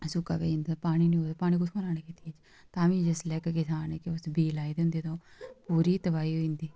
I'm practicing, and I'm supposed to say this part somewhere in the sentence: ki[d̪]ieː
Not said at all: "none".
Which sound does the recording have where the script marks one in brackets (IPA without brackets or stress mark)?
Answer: t̪